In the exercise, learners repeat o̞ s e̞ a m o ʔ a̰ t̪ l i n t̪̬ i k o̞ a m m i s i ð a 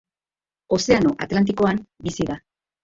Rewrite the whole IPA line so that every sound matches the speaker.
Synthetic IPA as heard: o̞ s e̞ a n o ʔ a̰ t̪ l a n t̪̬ i k o̞ a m b i s i ð a